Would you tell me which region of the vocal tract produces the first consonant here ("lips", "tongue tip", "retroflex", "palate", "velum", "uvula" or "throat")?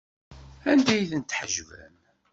tongue tip